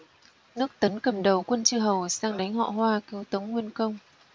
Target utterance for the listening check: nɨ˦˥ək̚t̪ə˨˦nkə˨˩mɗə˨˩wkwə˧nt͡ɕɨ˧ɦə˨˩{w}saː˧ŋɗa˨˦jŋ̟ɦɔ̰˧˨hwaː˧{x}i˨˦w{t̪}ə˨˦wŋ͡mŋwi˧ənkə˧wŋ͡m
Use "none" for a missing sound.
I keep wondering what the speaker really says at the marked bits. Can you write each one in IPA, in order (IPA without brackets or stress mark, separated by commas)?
w, k, t̪